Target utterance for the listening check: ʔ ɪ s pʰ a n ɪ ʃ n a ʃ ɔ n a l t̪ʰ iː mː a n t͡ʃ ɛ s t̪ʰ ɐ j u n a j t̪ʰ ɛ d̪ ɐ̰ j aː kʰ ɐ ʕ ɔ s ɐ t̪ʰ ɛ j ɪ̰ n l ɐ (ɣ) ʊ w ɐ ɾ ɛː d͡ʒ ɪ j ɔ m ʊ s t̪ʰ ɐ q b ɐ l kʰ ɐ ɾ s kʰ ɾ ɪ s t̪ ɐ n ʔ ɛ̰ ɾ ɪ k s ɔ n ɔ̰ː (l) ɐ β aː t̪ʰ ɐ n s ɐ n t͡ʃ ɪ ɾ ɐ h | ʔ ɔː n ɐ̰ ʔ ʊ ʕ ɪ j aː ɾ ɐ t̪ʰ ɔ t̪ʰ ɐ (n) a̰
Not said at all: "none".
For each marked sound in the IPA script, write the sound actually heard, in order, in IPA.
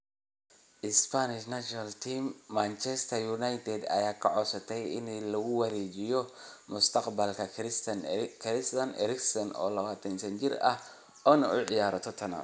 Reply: ɣ, l, n

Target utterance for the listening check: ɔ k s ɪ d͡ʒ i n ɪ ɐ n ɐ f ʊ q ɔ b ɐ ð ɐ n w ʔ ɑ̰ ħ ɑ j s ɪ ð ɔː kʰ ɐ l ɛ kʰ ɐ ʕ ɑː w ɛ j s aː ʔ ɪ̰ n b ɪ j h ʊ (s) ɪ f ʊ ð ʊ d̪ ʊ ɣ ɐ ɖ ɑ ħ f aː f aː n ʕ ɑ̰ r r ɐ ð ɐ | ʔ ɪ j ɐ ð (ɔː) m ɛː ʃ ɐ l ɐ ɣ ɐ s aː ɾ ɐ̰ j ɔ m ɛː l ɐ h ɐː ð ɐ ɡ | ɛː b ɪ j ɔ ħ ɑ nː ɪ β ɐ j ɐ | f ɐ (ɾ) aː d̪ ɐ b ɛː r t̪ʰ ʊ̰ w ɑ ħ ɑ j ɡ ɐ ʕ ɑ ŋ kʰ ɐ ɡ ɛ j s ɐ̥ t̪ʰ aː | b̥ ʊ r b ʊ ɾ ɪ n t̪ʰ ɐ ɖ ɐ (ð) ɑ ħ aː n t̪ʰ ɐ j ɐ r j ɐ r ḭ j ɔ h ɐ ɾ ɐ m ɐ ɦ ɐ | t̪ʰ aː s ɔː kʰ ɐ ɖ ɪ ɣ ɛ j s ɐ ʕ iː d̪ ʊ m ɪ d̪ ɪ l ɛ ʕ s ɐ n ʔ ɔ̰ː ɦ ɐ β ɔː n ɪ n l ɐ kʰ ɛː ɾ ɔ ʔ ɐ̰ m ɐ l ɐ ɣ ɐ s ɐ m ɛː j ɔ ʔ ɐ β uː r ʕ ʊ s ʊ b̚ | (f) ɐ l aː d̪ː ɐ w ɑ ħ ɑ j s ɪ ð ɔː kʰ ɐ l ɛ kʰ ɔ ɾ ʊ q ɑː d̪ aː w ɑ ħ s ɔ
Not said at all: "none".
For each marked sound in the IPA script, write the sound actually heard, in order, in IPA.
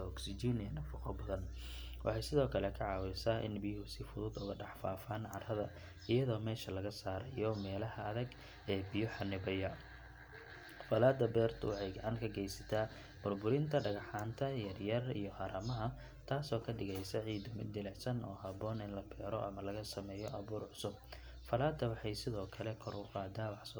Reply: s, ɔː, l, ɣ, f

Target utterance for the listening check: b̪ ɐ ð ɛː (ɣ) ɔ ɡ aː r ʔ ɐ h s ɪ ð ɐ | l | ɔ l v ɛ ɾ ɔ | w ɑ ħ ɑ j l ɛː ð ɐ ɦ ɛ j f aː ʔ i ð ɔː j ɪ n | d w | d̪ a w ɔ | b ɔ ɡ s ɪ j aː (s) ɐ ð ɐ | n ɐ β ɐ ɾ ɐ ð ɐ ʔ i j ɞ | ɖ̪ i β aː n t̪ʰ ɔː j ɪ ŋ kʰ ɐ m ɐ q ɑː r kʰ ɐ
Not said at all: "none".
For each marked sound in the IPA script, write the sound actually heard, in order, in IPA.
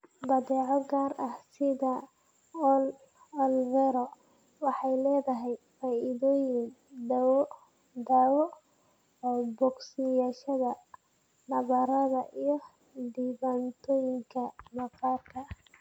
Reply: ʕ, ʃ

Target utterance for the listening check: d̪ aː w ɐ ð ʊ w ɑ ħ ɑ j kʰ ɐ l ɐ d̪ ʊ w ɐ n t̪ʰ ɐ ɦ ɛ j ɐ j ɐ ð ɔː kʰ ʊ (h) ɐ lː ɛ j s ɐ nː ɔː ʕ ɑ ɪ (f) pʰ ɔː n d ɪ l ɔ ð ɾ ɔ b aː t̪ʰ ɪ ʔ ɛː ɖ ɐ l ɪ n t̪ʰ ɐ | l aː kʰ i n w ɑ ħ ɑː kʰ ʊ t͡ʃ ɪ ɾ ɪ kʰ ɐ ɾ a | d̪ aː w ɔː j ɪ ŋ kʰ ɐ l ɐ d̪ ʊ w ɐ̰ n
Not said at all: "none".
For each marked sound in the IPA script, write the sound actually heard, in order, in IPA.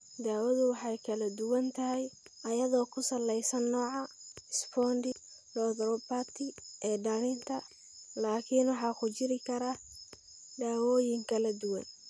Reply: s, s

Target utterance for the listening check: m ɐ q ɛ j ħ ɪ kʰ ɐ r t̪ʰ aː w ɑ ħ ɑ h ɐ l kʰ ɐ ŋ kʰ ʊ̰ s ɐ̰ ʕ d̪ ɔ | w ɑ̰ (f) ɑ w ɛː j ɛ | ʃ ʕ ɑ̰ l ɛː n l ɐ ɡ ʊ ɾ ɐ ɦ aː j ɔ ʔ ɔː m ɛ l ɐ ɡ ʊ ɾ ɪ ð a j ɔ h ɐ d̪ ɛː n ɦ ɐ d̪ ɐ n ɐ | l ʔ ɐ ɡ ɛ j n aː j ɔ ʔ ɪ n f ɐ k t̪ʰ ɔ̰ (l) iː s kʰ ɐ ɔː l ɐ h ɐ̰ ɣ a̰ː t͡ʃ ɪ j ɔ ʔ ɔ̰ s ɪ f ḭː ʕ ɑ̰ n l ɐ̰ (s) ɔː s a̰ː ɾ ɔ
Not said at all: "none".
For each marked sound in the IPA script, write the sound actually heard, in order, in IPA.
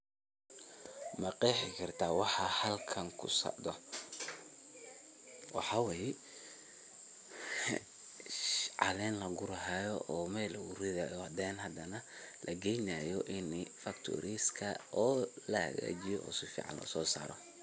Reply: ħ, ɾ, s

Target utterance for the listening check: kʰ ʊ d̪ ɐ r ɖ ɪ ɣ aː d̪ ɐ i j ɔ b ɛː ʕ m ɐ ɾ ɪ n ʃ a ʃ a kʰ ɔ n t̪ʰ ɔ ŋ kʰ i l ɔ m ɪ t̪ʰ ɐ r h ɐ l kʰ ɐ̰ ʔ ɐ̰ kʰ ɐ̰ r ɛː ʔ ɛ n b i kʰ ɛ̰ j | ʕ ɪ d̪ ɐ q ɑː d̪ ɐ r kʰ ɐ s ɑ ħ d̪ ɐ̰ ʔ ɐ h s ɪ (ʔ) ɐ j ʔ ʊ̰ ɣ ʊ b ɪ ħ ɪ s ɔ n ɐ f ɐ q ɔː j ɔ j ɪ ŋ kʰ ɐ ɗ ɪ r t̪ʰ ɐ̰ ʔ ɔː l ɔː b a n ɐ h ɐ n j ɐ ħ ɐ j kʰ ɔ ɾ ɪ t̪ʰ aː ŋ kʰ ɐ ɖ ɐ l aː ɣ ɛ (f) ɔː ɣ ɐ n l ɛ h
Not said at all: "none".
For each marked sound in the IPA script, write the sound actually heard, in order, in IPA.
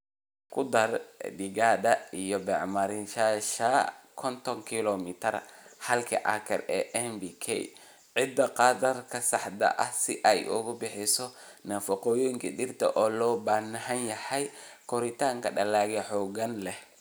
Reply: ʔ, ħ

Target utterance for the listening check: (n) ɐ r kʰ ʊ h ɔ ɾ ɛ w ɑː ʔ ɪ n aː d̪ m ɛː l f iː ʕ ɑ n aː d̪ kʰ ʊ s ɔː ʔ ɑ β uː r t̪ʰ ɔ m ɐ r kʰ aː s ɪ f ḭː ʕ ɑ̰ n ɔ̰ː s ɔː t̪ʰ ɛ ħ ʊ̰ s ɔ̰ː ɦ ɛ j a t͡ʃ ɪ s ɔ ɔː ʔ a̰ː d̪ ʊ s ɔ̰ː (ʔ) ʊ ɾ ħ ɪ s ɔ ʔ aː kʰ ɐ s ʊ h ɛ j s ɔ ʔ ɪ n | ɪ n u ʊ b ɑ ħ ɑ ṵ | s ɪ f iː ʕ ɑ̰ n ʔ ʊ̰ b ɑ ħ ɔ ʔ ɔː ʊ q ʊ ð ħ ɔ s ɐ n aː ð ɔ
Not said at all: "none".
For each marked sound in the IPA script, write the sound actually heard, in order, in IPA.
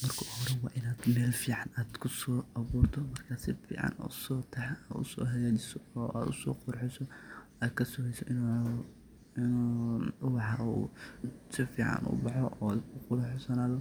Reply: m, q

